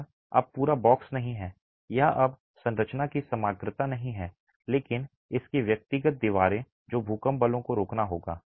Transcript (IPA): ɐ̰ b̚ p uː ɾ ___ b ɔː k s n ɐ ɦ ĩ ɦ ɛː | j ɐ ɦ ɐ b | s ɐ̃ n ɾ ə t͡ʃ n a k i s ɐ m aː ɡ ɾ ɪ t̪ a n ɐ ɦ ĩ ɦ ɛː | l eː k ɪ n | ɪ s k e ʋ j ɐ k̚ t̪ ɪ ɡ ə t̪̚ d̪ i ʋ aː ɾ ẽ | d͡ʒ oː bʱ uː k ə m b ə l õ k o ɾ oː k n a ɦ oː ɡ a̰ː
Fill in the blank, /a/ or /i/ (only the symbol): a